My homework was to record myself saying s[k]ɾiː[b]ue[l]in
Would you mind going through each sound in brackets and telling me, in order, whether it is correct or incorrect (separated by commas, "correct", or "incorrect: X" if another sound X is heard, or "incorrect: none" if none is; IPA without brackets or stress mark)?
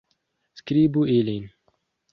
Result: correct, correct, correct